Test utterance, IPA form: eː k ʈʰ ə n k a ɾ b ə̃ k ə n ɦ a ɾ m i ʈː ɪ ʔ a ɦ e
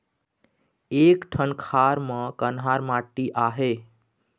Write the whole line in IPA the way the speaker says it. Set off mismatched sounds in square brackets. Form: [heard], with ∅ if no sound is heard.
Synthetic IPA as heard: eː k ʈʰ ə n [kʰ] a ɾ [m] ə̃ k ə n ɦ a ɾ m [a] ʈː [i] ʔ a ɦ e

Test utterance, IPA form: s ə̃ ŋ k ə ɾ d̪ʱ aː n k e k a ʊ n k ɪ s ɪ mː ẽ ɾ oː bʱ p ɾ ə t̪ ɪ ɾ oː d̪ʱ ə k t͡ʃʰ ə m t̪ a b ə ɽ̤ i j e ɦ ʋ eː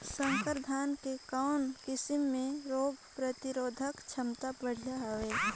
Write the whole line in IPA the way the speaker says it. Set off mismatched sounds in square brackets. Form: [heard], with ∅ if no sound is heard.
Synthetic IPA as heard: s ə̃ ŋ k ə ɾ d̪ʱ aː n k e k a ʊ n k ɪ s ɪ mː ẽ ɾ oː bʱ p ɾ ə t̪ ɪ ɾ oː d̪ʱ ə k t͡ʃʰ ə m t̪ a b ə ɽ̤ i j [a] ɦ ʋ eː

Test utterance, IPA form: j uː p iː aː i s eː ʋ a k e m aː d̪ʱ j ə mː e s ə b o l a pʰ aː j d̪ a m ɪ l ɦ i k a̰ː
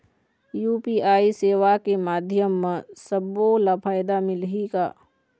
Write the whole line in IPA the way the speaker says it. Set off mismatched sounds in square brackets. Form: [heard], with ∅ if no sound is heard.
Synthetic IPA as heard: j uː p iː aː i s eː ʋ a k e m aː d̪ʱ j ə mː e s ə b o l a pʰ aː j d̪ a m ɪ l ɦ i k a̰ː

